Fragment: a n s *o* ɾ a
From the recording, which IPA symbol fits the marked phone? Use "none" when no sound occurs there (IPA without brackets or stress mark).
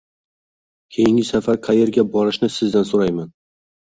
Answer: o